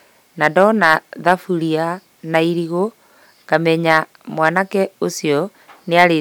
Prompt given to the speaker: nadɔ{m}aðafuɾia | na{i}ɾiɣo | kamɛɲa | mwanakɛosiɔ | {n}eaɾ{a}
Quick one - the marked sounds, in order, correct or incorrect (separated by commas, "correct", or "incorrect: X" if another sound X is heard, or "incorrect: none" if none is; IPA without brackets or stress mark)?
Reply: incorrect: n, correct, correct, incorrect: e